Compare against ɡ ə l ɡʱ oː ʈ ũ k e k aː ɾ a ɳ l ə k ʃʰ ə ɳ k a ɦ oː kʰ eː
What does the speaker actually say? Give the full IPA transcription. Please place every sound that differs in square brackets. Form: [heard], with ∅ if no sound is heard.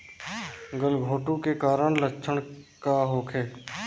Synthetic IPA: ɡ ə l ɡʱ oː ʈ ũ k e k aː ɾ [ə] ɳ l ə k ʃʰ ə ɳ k a ɦ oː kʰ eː